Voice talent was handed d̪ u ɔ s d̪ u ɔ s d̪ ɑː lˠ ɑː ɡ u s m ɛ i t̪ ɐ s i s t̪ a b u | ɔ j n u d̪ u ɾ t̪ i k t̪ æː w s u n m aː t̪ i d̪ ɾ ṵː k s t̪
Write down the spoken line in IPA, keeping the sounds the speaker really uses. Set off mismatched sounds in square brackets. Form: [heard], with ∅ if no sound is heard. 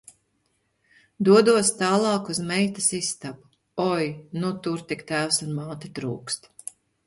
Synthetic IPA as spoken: d̪ u ɔ [∅] d̪ u ɔ s [t̪] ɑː lˠ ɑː [k] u [z] m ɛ [j] t̪ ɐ s i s t̪ a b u | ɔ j n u [t̪] u ɾ t̪ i k t̪ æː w s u n m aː t̪ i [t̪] ɾ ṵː k s t̪